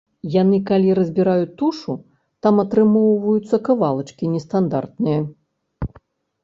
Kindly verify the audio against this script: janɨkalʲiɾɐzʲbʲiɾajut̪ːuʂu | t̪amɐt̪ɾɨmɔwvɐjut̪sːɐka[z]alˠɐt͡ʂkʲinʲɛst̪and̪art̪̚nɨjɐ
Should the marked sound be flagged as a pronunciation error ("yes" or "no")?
yes